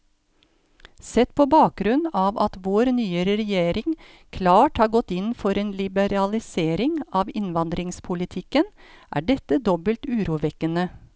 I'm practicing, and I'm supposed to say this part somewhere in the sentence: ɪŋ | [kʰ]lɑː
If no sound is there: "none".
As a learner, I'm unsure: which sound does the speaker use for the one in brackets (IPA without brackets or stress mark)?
kʰ